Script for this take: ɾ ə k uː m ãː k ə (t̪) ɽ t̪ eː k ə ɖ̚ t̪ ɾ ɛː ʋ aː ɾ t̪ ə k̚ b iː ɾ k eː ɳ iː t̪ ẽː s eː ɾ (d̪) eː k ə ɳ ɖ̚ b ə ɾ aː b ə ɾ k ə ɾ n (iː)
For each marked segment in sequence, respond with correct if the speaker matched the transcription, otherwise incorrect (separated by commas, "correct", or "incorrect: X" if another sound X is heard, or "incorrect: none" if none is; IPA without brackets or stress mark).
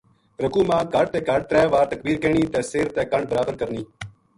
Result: incorrect: none, incorrect: t̪, correct